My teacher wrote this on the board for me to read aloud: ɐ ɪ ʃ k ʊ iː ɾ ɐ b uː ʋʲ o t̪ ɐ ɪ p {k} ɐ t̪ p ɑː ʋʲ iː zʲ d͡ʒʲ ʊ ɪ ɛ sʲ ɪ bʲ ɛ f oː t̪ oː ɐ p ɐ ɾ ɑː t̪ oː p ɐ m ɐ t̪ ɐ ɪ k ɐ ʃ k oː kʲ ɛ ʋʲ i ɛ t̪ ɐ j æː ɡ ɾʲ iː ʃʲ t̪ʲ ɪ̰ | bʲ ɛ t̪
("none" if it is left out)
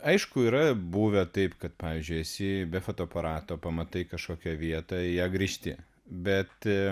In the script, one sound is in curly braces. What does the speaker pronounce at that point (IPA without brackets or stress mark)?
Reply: k